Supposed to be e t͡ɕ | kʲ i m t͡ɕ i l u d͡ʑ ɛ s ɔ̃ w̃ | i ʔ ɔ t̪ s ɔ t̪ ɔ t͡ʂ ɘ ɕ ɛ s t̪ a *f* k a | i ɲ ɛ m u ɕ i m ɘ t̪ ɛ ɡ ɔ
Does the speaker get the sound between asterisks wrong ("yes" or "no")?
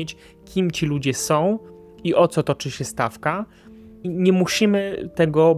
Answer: no